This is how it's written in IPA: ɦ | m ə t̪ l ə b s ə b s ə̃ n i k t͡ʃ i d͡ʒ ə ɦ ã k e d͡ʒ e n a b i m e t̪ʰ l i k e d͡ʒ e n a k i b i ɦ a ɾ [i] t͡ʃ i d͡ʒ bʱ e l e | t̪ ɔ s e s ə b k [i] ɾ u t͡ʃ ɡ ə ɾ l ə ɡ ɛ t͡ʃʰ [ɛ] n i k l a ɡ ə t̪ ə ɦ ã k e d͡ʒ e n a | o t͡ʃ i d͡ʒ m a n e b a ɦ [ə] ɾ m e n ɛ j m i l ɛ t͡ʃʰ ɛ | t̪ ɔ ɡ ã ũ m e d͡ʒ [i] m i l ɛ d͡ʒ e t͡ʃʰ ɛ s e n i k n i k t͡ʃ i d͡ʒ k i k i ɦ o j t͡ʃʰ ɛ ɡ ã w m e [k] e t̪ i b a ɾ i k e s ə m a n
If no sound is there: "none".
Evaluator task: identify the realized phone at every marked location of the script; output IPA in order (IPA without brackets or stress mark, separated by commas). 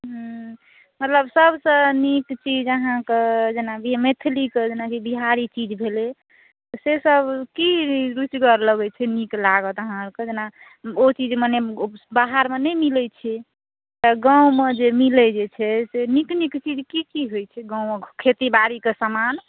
i, i, ɛ, a, e, kʰ